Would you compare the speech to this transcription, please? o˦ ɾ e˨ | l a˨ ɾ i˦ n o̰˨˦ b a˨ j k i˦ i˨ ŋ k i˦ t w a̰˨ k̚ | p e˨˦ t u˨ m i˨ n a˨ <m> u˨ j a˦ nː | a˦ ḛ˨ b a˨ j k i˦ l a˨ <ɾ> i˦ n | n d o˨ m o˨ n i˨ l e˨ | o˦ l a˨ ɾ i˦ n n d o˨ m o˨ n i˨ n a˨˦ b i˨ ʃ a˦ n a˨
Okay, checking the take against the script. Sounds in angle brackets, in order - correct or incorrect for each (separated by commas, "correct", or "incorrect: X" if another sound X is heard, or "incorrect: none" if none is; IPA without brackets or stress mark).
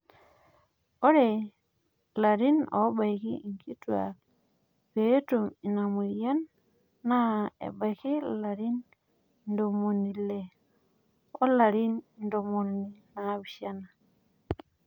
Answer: correct, correct